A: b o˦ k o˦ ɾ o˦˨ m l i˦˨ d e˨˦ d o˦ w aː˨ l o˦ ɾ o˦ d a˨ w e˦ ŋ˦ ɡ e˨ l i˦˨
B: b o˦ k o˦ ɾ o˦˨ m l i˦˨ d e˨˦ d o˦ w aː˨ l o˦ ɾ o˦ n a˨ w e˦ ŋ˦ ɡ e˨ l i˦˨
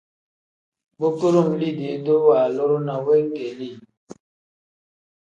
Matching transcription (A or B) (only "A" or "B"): B